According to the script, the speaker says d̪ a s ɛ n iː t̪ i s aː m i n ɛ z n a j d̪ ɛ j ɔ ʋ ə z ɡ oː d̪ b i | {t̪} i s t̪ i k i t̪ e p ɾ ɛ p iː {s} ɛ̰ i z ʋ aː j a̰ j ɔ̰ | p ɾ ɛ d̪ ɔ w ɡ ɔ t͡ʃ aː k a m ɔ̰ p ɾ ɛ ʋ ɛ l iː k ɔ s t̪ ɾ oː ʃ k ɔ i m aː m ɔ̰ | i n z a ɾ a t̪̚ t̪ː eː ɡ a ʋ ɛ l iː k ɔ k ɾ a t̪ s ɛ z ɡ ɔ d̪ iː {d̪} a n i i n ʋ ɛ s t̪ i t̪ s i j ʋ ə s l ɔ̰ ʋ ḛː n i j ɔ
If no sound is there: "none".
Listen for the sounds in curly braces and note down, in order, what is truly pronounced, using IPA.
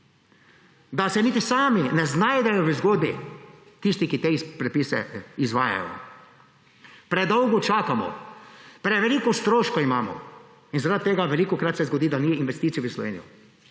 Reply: t̪, s, d̪

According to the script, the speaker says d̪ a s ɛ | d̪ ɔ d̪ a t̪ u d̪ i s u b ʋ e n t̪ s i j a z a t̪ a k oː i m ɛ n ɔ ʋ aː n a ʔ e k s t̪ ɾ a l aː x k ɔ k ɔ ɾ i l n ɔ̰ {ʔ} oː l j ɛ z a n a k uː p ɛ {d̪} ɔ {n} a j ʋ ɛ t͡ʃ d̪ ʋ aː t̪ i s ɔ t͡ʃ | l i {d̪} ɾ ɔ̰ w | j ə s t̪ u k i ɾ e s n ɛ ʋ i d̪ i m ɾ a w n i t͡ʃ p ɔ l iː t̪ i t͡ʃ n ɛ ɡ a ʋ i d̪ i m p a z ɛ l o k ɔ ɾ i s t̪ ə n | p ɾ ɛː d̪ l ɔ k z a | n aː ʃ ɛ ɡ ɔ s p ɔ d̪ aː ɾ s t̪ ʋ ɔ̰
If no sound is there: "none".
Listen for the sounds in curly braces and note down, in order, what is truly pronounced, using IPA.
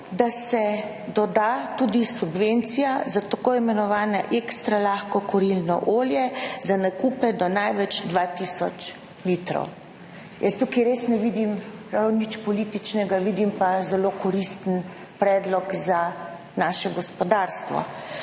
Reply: ʔ, d̪, n, t̪

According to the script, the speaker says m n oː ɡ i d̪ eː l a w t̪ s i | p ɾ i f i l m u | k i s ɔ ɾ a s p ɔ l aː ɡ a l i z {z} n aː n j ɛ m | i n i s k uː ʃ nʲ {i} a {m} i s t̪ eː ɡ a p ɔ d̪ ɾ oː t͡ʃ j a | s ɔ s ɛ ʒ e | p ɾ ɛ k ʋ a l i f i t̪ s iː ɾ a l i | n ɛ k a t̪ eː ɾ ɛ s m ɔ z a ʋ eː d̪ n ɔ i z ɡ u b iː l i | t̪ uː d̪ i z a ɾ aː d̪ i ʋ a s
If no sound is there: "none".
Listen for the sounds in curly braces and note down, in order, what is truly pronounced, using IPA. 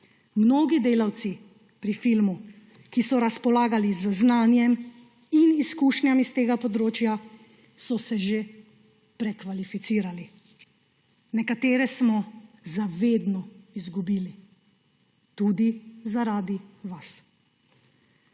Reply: z, j, m

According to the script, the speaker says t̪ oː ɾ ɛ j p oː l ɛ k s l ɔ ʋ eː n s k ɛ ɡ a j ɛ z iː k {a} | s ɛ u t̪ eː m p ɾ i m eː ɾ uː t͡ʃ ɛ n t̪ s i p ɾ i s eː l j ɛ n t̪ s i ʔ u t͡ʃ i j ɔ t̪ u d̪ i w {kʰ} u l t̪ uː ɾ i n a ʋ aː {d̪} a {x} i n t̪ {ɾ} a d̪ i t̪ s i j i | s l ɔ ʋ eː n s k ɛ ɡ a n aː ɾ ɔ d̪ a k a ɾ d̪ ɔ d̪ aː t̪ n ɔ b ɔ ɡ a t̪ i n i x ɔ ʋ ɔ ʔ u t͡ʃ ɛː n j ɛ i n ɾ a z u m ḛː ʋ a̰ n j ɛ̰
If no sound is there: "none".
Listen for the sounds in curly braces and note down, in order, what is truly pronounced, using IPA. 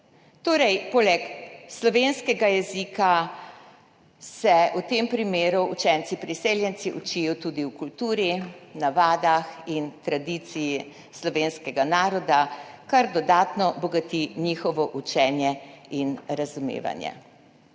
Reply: a, k, d̪, x, ɾ

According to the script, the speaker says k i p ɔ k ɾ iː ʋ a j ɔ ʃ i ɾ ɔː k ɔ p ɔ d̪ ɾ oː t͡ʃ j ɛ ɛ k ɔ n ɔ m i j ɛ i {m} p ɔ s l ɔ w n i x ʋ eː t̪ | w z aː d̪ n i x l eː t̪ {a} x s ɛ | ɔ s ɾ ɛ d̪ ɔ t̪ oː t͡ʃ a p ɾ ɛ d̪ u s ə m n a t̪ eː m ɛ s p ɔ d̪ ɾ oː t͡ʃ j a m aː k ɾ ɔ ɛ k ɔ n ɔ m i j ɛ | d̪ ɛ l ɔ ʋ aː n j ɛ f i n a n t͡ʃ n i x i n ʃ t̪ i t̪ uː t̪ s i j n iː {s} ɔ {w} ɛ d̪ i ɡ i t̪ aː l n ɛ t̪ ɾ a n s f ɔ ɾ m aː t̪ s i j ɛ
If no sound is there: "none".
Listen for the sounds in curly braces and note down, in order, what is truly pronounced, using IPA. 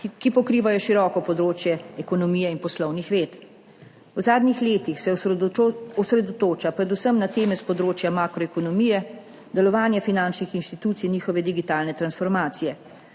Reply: n, i, x, ʋ

